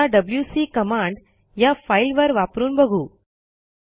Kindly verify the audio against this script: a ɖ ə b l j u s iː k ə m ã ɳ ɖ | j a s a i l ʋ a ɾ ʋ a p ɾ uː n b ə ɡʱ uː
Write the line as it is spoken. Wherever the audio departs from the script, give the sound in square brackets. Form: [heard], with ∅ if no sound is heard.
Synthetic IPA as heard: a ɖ ə b l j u s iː k ə m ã ɳ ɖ | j a [f] a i l ʋ [ə] ɾ ʋ a p ɾ uː n b ə ɡʱ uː

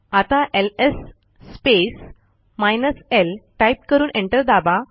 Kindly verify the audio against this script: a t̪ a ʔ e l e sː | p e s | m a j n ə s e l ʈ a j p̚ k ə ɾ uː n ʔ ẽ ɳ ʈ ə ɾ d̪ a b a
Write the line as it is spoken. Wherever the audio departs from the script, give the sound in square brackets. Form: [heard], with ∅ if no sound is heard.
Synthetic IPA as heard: a t̪ a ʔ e l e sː | p e s | m a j n ə s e l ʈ a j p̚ k ə ɾ uː n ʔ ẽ ɳ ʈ ə ɾ d̪ a b a

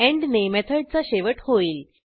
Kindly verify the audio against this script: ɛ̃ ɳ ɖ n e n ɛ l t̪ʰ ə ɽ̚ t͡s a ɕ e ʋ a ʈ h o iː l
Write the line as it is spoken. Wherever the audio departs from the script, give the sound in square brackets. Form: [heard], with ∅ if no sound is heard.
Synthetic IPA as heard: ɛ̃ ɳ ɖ n e [m] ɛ [∅] t̪ʰ ə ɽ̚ t͡s a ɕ e ʋ [ə] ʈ h o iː l

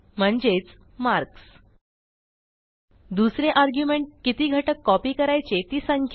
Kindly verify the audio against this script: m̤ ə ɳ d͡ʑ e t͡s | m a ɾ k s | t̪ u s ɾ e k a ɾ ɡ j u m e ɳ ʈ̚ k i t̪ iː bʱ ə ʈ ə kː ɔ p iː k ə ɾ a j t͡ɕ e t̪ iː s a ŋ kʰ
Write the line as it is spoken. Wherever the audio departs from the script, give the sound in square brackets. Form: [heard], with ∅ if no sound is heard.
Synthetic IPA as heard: m̤ ə ɳ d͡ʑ e t͡s | m a ɾ k s | [d̪] u s ɾ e [ʔ] a ɾ ɡ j u m e ɳ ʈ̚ k i t̪ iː [ɡʱ] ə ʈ ə kː ɔ p iː k ə ɾ a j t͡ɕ e t̪ iː s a ŋ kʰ

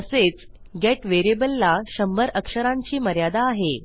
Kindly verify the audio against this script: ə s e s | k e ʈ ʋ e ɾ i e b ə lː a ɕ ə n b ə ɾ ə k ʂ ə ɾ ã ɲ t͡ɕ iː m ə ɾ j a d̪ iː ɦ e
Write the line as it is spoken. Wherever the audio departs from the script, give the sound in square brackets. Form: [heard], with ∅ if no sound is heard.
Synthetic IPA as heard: ə s e [t͡s] | [ɡ] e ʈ ʋ e ɾ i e b ə lː a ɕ ə [m] b ə ɾ ə k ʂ ə ɾ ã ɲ t͡ɕ iː m ə ɾ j a d̪ [aː] ɦ e

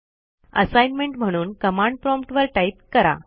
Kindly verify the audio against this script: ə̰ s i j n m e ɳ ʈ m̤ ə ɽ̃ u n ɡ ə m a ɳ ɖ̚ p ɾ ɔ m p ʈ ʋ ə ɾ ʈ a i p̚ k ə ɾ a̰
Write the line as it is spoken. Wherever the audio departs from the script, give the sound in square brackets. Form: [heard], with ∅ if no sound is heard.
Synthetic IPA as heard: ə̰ s [a] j n m e ɳ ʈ m̤ ə ɽ̃ [uː] n [k] ə m a ɳ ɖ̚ p ɾ ɔ m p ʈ ʋ ə ɾ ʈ a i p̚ k ə ɾ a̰

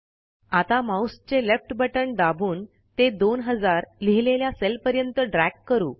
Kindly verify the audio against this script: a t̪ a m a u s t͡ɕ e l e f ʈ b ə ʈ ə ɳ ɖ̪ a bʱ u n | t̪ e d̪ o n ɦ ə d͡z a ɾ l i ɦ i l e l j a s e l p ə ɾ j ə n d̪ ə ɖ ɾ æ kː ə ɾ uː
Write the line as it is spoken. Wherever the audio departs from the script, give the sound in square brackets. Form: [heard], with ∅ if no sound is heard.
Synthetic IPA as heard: a t̪ a m a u s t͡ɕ e l e f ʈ b ə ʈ ə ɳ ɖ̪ a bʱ [uː] n | t̪ e d̪ o n ɦ ə d͡z a ɾ l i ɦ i l e l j a s e l p ə ɾ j ə n [t̪] ə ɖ ɾ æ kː ə ɾ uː

